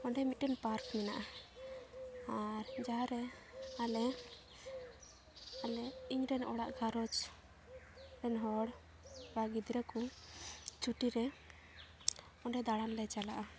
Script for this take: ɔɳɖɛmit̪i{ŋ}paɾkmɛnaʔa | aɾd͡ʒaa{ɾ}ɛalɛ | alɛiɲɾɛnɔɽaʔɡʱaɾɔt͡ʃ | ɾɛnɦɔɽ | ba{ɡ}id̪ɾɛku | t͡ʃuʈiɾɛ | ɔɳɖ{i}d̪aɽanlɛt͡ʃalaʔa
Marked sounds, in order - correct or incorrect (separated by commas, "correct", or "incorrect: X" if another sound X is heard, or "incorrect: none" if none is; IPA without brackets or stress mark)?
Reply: incorrect: n, correct, correct, incorrect: ɛ